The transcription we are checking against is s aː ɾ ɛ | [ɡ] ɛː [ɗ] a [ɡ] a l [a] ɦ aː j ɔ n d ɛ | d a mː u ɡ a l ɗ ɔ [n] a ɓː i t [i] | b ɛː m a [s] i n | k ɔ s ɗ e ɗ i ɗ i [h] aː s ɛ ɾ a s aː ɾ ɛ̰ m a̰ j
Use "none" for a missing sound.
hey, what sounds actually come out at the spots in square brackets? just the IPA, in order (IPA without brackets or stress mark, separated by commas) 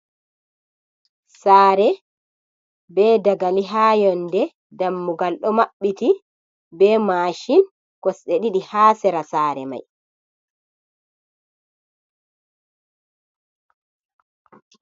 b, d, ɡ, i, m, i, ʃ, h